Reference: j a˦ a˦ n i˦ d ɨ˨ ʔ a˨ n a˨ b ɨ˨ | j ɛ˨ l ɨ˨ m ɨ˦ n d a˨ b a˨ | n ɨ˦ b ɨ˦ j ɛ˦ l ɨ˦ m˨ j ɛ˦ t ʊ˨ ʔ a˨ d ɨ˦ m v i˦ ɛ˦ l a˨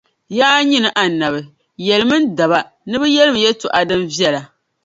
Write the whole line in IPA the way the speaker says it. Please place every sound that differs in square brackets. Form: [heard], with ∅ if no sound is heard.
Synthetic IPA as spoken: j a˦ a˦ [ɲ] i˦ [n] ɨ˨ ʔ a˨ n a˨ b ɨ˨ | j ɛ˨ l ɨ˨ m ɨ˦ n d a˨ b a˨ | n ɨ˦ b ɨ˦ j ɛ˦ l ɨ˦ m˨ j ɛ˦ t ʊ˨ ʔ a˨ d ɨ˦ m v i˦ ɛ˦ l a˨